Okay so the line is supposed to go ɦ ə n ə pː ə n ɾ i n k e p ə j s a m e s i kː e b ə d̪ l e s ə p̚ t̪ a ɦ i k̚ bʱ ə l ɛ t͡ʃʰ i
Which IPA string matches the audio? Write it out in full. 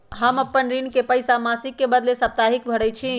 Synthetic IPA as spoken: ɦ ə m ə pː ə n ɾ i n k e p ə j s a m a s i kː e b ə d̪ l e s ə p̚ t̪ a ɦ i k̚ bʱ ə ɽ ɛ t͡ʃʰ i